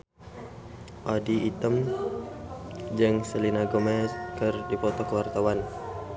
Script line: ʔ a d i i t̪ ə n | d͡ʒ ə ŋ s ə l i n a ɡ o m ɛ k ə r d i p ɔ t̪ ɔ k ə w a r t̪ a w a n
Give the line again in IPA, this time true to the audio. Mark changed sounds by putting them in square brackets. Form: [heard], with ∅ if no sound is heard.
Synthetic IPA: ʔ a d i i t̪ ə [m] | d͡ʒ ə ŋ s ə l i n a ɡ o m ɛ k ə r d i p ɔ t̪ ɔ k ə w a r t̪ a w a n